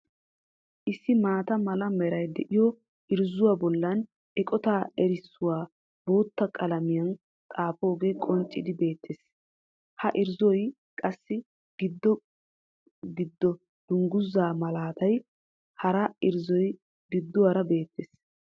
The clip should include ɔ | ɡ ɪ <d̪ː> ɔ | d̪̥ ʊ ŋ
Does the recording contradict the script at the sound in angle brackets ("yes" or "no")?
no